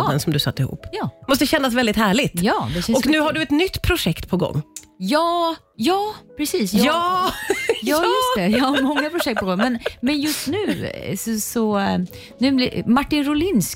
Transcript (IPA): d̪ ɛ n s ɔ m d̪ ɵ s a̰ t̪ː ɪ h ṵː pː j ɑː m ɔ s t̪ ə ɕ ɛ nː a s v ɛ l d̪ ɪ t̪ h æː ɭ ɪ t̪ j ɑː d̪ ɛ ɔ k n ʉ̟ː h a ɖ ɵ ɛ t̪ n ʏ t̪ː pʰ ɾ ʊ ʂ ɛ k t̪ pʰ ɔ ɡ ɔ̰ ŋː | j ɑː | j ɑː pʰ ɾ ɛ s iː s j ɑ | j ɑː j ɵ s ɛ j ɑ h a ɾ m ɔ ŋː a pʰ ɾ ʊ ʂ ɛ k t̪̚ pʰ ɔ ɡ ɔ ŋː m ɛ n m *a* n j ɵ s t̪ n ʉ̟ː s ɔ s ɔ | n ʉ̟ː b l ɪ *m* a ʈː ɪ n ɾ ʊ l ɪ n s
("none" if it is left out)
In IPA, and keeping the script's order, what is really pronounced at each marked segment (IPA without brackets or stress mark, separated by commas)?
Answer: ɛ, m